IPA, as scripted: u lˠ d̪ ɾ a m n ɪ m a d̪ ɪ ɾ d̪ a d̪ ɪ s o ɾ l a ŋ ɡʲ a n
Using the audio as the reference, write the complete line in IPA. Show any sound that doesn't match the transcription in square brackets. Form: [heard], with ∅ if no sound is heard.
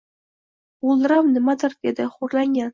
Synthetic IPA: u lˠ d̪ ɾ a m n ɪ m a d̪ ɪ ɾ d̪ [e] d̪ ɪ [χ] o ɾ l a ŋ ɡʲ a n